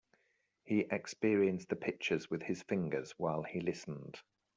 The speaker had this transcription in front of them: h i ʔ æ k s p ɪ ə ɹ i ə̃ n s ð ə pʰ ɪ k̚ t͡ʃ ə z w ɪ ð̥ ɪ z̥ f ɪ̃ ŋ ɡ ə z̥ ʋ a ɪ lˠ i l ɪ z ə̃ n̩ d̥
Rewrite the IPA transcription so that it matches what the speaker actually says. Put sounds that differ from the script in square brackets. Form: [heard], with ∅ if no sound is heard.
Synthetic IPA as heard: h i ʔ [ɛ] k s p ɪ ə ɹ i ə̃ n s ð ə pʰ ɪ k̚ t͡ʃ ə z w ɪ ð̥ ɪ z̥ f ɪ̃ ŋ ɡ ə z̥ [w] a ɪ lˠ i l ɪ [s] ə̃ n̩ d̥